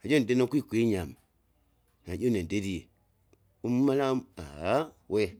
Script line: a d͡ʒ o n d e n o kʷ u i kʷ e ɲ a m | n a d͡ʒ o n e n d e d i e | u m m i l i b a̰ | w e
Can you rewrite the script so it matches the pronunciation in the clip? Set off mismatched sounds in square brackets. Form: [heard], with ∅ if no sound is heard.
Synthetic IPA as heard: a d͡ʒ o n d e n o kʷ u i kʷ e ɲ a m | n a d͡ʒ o n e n d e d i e | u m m [a] l [a] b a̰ | w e